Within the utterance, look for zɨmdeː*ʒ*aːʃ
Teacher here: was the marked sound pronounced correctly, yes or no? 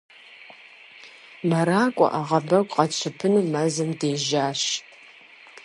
yes